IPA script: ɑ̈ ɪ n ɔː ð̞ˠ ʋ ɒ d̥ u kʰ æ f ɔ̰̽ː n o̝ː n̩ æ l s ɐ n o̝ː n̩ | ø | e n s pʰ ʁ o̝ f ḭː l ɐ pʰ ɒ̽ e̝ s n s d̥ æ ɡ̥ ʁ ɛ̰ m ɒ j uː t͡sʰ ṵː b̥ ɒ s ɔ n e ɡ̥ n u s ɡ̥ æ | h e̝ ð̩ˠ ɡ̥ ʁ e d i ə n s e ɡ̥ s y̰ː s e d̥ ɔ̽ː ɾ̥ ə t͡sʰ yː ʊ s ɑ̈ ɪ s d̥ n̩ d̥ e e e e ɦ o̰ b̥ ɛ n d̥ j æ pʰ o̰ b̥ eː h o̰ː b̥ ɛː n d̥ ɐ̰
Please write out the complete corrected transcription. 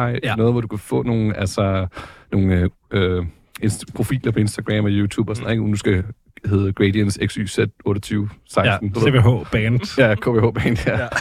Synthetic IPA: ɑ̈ ɪ n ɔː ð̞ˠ ʋ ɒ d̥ u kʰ æ f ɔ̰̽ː n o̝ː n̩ æ l s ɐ n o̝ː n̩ | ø | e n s pʰ ʁ o̝ f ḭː l ɐ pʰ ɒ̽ e̝ n s d̥ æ ɡ̥ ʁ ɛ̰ m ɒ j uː t͡sʰ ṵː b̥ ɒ s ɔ n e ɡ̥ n u s ɡ̥ æ | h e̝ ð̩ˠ ɡ̥ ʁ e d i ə n s e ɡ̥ s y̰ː s e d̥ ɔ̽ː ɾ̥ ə t͡sʰ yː ʊ s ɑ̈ ɪ s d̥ n̩ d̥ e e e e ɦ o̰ b̥ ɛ n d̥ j æ kʰ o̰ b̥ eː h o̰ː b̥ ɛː n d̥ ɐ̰